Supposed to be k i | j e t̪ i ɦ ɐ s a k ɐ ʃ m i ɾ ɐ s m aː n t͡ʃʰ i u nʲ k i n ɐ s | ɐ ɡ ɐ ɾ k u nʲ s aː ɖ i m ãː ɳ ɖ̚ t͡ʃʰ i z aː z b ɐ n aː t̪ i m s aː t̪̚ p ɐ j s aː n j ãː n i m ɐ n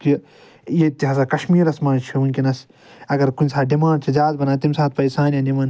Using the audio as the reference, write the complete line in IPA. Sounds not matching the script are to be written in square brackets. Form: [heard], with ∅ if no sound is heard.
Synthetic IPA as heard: k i | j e t̪ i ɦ ɐ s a k ɐ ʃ m [iː] ɾ ɐ s m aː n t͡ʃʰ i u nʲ k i n ɐ s | ɐ ɡ ɐ ɾ k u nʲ s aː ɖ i m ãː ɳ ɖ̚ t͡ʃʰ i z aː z b ɐ n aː t̪ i m s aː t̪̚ p ɐ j s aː n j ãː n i m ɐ n